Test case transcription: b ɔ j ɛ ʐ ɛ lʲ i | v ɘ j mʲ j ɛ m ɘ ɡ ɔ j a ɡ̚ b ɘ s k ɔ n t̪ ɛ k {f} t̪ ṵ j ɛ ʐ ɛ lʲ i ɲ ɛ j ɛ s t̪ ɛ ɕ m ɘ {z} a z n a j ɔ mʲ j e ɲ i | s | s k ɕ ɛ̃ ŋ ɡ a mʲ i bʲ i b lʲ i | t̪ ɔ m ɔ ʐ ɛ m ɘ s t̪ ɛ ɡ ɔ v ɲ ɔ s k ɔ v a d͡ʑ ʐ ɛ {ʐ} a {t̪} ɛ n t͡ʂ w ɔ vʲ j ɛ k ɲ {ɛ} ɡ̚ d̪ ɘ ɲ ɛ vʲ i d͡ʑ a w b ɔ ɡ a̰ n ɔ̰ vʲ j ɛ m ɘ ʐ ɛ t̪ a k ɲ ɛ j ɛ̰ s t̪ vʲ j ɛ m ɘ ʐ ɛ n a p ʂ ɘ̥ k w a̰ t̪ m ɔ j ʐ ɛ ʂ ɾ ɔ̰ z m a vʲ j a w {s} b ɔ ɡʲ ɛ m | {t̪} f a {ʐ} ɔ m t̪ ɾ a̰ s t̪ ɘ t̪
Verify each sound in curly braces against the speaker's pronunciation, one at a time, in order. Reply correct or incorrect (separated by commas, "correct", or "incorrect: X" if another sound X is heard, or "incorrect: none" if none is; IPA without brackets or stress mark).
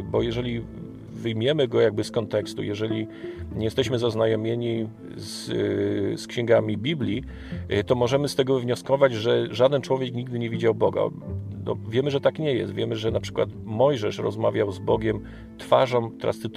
incorrect: s, correct, correct, incorrect: d̪, incorrect: i, incorrect: z, correct, correct